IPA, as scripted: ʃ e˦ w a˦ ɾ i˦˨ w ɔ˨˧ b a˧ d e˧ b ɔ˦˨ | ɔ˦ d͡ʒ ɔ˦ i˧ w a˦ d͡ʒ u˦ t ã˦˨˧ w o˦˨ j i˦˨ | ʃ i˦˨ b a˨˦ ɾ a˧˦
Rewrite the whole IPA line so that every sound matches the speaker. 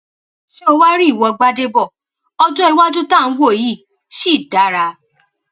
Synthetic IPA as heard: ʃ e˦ w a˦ ɾ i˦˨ w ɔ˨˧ ɡ͡b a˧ d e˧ b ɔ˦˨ | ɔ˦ d͡ʒ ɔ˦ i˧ w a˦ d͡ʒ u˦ t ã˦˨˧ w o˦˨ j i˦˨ | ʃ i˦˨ d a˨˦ ɾ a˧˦